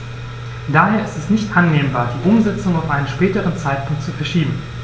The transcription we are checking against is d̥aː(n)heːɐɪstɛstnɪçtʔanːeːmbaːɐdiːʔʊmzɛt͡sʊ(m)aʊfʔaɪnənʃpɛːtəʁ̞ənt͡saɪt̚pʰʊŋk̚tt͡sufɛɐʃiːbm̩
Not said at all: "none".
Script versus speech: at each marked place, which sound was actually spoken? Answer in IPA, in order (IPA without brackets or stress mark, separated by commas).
none, ŋ